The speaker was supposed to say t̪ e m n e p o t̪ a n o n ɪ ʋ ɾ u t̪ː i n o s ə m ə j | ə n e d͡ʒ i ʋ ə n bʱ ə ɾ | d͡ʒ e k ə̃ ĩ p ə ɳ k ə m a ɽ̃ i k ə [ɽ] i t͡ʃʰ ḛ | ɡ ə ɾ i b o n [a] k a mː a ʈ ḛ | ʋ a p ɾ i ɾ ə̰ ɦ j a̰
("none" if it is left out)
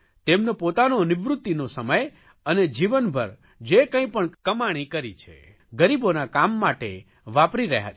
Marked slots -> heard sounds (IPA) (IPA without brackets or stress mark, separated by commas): ɾ, a